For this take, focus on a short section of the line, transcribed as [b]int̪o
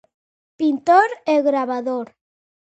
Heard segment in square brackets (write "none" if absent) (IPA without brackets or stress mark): p